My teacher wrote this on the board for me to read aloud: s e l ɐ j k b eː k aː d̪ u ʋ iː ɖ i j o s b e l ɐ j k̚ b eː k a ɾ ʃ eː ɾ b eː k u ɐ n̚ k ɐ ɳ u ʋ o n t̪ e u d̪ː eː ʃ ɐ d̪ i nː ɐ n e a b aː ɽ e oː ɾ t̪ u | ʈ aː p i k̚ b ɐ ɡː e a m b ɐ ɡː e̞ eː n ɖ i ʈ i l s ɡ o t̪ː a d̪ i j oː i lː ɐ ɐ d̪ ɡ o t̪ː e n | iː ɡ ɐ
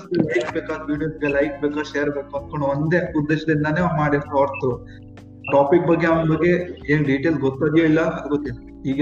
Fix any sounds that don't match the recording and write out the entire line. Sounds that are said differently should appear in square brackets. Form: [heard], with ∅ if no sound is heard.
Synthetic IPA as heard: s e l ɐ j k b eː k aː d̪ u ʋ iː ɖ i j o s [ɡ] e l ɐ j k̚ b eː k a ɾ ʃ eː ɾ b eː k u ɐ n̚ k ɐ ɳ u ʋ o n [d̪] e u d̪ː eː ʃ ɐ d̪ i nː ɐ n e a [m] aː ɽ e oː ɾ t̪ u | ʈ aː p i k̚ b ɐ ɡː e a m b ɐ ɡː e̞ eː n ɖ i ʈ [e] l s ɡ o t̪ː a d̪ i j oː i lː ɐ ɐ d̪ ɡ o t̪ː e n | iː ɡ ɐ